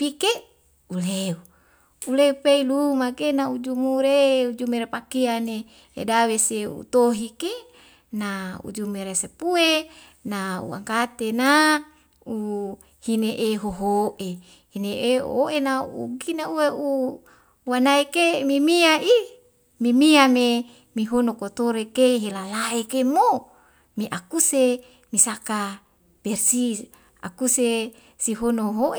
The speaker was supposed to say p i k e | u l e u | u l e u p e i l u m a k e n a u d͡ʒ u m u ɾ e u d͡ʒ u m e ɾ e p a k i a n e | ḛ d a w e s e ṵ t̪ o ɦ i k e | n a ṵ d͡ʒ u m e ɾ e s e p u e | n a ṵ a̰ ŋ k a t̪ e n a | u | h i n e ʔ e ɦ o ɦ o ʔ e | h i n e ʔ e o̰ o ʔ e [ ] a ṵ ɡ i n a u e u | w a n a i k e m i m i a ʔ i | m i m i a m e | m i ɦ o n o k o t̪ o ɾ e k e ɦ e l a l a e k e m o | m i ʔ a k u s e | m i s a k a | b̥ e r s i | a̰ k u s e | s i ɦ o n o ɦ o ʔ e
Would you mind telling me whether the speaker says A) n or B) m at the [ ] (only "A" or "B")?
A